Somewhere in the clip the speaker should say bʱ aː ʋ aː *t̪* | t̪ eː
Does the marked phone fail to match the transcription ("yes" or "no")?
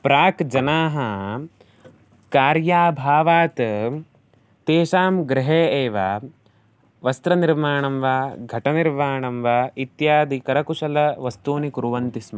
no